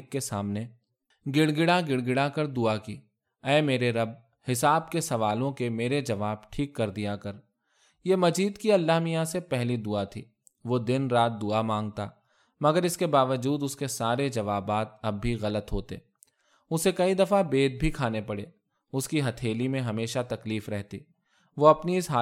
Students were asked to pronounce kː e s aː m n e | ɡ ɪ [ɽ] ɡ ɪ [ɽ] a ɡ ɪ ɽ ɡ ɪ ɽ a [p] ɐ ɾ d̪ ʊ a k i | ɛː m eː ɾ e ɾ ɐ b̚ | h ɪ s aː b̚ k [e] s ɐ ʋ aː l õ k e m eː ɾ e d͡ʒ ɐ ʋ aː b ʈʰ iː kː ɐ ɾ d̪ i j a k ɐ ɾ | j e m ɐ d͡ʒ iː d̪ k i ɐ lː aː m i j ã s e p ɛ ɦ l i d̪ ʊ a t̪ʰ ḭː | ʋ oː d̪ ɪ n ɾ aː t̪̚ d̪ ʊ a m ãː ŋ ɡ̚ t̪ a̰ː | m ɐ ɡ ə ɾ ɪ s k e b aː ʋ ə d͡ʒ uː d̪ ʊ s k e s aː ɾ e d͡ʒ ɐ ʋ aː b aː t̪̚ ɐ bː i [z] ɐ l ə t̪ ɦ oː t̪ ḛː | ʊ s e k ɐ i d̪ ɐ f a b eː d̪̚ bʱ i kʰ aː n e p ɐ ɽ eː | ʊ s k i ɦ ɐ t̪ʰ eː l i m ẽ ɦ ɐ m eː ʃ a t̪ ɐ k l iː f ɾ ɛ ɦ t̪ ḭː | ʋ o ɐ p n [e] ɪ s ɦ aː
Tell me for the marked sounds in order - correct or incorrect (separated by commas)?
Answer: correct, correct, incorrect, correct, incorrect, incorrect